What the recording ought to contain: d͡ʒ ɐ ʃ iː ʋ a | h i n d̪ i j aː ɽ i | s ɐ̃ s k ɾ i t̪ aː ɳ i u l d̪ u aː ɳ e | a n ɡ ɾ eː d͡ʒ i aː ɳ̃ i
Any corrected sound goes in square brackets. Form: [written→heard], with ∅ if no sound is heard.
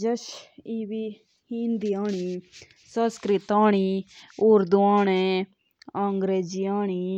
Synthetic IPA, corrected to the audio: d͡ʒ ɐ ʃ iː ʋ [a→i] | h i n d̪ i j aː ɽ i | s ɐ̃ s k ɾ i t̪ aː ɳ i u [l→ɾ] d̪ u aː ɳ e | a [n→ŋ] ɡ ɾ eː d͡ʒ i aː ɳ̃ i

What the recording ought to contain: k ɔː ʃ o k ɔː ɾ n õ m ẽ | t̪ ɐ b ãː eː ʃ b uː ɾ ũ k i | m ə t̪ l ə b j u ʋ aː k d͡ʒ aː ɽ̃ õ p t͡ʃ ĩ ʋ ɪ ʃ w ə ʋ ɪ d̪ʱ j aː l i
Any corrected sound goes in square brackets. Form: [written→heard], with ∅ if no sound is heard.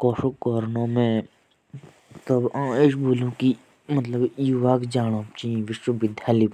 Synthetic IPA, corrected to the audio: k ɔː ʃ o k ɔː ɾ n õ m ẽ | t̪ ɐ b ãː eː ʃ b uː [ɾ→l] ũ k i | m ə t̪ l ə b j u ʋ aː k d͡ʒ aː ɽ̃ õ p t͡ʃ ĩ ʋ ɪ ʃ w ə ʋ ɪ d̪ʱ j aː l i

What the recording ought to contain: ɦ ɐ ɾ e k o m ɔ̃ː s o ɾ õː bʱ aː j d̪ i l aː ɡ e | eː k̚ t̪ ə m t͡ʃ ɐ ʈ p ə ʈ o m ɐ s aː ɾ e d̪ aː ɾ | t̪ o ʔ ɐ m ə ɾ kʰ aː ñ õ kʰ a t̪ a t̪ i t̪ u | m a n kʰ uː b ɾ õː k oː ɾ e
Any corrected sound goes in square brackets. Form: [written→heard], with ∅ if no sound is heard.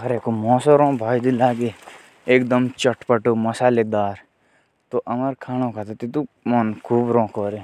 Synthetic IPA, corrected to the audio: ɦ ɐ ɾ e k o m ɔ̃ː s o ɾ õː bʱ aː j d̪ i l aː ɡ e | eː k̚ [t̪→d̪] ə m t͡ʃ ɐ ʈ p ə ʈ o m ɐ s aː [ɾ→l] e d̪ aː ɾ | t̪ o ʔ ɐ m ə ɾ kʰ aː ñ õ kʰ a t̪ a t̪ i t̪ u | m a n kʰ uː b ɾ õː k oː ɾ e

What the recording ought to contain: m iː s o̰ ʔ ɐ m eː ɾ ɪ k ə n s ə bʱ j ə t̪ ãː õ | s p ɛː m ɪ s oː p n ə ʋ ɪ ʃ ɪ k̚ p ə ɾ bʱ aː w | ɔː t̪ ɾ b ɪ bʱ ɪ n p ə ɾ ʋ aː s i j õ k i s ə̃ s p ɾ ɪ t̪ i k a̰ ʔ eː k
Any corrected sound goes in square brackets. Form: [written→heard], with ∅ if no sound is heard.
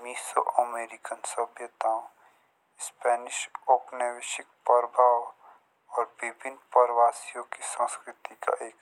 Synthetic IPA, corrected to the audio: m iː s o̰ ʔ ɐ m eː ɾ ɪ k ə n s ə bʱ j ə t̪ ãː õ | s p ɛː [m→n] ɪ [s→ʃ] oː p n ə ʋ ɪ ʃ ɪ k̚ p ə ɾ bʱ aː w | ɔː [t̪→∅] ɾ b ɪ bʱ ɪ n p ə ɾ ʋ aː s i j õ k i s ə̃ s [p→k] ɾ ɪ t̪ i k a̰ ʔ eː k

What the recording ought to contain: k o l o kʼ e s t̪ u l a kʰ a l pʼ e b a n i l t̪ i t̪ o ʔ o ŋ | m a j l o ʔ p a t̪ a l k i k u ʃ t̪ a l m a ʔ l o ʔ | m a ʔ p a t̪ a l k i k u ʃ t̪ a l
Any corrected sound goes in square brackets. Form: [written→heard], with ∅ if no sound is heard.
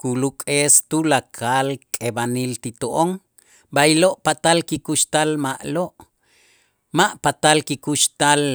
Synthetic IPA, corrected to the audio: k [o→u] l [o→u] kʼ e s t̪ u l a kʰ a l [pʼ→kʼ] e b a n i l t̪ i t̪ o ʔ o ŋ | [m→b] a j l o ʔ p a t̪ a l k i k u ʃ t̪ a l m a ʔ l o ʔ | m a ʔ p a t̪ a l k i k u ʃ t̪ a l

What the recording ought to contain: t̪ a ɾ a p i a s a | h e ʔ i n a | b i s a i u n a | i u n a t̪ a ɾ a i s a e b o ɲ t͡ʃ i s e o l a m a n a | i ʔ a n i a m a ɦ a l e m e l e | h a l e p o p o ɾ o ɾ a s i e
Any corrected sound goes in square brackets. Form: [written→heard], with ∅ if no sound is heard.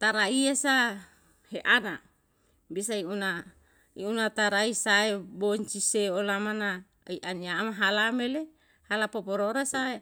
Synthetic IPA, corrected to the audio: t̪ a ɾ a [p→∅] i a s a | h e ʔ [i→a] n a | b i s a i u n a | i u n a t̪ a ɾ a i s a e b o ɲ t͡ʃ i s e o l a m a n a | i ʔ a n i a m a ɦ a l [e→a] m e l e | h a l [e→a] p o p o ɾ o ɾ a s [i→a] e

